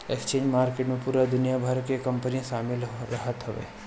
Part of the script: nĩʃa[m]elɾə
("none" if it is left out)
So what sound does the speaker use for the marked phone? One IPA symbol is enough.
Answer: m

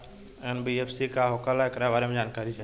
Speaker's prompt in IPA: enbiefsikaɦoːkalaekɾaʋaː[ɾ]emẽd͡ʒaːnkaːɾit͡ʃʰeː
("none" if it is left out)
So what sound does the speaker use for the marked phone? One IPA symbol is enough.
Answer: ɾ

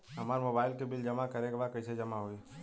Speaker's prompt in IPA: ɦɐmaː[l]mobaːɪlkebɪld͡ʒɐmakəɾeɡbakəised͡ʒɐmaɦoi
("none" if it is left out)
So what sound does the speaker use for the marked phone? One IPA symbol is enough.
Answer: ɾ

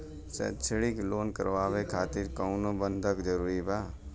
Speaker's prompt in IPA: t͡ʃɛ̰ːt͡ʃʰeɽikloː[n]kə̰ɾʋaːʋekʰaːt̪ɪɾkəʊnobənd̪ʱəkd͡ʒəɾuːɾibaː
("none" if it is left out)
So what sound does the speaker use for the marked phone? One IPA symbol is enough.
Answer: n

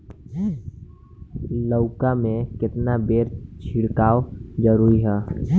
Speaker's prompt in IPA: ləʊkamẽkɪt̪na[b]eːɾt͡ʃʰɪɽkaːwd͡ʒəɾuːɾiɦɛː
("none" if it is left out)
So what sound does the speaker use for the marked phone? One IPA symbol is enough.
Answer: b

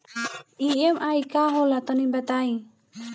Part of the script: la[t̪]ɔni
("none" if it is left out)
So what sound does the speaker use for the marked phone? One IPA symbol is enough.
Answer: t̪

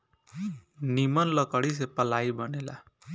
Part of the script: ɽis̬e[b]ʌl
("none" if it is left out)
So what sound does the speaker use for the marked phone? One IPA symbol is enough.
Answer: p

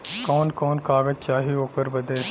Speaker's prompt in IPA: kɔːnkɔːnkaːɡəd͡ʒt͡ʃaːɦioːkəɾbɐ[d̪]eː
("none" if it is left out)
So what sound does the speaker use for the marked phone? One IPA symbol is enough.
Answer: d̪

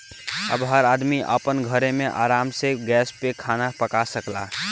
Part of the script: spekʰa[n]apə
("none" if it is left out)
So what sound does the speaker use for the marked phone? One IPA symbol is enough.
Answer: n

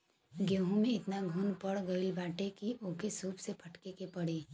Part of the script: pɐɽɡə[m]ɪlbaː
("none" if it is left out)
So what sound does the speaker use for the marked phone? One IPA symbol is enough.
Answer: none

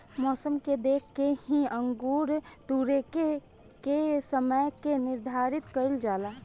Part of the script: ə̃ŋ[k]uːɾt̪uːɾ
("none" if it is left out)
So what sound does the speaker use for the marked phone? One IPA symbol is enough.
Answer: ɡ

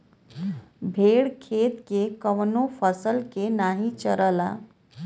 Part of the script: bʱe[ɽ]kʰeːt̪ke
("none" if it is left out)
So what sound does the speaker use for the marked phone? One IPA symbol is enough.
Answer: ɽ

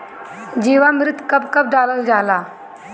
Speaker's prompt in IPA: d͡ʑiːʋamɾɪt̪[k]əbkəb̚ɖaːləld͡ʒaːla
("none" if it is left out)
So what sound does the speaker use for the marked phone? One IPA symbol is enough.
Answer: k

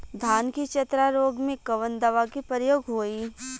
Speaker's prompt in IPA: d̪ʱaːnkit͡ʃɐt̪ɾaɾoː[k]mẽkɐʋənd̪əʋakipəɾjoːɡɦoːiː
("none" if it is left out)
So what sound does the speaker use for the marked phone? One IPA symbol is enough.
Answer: ɡ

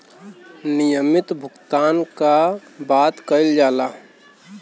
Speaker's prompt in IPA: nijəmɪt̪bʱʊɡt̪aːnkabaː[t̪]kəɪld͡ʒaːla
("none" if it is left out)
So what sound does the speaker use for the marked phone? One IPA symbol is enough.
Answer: t̪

